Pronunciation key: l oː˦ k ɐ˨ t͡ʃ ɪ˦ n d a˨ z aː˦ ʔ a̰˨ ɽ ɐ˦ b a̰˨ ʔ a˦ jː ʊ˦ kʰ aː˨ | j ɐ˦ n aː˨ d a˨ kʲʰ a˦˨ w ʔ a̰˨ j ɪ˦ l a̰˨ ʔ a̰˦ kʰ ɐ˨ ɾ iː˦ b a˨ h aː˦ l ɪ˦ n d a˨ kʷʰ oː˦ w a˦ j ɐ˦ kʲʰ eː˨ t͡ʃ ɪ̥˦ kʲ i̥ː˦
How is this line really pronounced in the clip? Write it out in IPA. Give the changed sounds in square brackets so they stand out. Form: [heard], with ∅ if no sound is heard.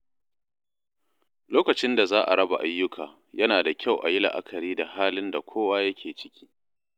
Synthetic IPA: l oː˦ k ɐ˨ t͡ʃ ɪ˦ n d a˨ z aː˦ ʔ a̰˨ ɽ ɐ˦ b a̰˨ ʔ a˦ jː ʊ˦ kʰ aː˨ | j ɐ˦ n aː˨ d a˨ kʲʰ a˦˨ w ʔ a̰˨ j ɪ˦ l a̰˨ ʔ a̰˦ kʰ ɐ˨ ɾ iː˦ [d] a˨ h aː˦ l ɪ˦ n d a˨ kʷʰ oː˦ w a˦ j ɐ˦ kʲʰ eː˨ t͡ʃ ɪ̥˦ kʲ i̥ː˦